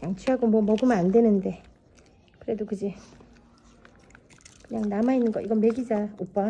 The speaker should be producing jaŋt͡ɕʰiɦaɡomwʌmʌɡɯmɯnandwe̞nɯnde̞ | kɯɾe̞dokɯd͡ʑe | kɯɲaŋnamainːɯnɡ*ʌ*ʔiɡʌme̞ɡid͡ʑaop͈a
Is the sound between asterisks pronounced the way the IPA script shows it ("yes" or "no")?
yes